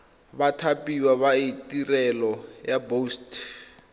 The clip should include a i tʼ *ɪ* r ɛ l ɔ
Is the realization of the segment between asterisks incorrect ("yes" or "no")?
yes